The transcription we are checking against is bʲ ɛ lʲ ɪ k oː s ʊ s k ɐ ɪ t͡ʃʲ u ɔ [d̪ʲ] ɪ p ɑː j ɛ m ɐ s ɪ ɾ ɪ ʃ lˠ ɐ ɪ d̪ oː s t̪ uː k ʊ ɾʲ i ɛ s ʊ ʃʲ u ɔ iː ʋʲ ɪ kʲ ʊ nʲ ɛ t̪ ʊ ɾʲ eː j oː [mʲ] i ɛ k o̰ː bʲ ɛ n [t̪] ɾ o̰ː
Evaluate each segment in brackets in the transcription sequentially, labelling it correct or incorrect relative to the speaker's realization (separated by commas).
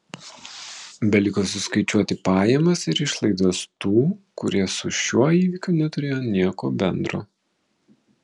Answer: incorrect, incorrect, incorrect